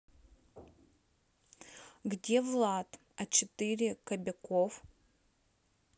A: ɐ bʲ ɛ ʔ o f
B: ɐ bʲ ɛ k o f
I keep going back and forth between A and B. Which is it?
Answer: B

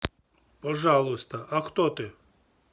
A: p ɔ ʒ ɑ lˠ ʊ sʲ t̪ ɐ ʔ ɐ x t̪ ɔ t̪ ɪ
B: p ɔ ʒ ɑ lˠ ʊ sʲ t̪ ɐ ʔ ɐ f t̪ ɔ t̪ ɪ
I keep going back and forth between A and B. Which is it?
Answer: A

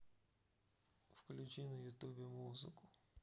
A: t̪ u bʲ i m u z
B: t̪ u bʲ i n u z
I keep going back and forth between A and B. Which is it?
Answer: A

